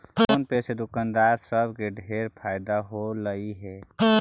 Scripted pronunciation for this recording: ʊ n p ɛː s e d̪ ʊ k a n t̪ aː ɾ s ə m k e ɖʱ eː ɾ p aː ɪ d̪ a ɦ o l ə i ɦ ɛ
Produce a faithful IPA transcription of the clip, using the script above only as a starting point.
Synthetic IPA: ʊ n p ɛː s e d̪ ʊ k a n d̪ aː ɾ s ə b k e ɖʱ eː ɾ pʰ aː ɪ d̪ a ɦ o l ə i ɦ ɛ